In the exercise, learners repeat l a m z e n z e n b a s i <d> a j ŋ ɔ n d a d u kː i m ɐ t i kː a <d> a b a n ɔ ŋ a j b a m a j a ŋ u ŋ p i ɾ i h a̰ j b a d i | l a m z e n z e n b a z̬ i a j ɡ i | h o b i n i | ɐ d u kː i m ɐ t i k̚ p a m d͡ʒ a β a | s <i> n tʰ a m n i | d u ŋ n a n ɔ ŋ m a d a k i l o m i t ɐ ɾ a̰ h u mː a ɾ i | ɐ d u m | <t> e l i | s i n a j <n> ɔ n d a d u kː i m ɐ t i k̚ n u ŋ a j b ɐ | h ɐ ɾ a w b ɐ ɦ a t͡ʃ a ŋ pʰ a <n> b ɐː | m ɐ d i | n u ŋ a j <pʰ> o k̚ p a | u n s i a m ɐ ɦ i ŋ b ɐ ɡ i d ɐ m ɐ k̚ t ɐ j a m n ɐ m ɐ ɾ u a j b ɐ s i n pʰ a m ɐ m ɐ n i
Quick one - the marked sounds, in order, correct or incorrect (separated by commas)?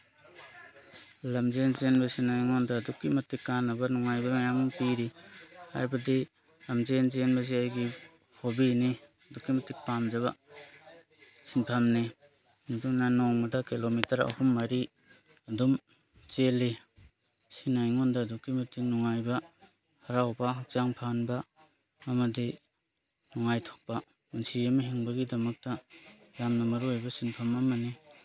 incorrect, incorrect, correct, incorrect, incorrect, correct, incorrect